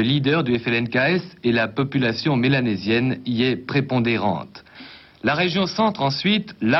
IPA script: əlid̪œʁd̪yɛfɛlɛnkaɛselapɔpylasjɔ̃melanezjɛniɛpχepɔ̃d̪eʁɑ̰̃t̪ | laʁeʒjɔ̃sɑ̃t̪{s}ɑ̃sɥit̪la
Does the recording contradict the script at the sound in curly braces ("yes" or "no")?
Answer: yes